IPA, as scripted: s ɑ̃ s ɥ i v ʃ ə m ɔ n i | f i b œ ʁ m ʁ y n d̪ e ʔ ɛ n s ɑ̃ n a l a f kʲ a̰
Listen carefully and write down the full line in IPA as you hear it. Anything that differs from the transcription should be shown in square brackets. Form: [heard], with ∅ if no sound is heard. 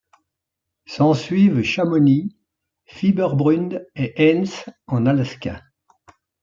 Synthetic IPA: s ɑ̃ s ɥ i v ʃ [a] m ɔ n i | f i b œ ʁ [b] ʁ y n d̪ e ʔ ɛ n s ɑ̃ n a l a [s] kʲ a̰